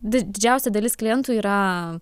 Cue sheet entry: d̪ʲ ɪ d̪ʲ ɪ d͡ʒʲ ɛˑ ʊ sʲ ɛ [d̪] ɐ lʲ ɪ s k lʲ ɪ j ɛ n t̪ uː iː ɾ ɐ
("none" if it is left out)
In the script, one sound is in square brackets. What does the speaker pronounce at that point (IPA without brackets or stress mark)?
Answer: d̪